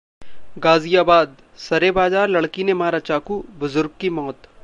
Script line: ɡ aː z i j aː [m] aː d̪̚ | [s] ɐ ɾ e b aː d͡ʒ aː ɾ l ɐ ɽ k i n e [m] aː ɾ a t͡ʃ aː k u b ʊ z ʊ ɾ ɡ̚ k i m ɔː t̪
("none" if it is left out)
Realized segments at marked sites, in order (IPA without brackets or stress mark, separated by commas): b, s, m